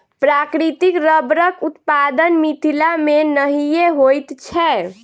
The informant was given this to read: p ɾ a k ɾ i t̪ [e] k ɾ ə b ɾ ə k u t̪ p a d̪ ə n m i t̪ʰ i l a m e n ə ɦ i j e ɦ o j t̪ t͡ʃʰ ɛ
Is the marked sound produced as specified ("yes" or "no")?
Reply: no